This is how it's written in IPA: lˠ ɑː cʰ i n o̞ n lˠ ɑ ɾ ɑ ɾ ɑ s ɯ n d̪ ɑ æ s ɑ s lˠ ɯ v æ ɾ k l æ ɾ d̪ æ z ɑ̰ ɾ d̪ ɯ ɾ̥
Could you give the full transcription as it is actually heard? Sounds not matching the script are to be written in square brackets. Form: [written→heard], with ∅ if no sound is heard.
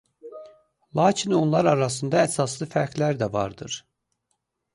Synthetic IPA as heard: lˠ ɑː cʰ i n o̞ n lˠ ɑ ɾ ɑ ɾ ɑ s ɯ n d̪ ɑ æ s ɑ s lˠ ɯ [v→f] æ ɾ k l æ ɾ d̪ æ [z→v] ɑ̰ ɾ d̪ ɯ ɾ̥